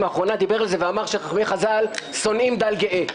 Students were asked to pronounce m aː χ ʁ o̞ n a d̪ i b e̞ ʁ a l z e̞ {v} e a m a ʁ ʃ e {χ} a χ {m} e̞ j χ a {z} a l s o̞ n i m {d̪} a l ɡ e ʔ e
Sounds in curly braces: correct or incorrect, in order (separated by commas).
correct, correct, correct, correct, correct